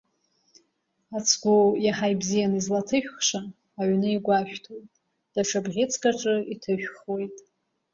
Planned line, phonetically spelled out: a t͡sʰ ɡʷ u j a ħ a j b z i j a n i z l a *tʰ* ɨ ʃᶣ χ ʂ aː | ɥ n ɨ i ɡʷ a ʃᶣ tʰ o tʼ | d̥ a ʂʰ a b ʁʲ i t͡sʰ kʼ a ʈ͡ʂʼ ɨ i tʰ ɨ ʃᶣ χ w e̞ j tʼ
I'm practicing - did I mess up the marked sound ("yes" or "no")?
no